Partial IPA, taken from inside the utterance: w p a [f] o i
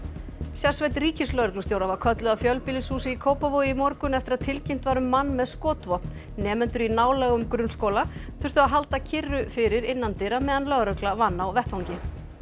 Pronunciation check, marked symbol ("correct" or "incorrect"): incorrect